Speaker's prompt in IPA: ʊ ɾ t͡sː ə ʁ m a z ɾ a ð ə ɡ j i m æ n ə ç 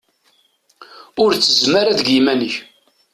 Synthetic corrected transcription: ʊ ɾ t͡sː ə z m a ɾ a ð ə ɡ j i m æ n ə ç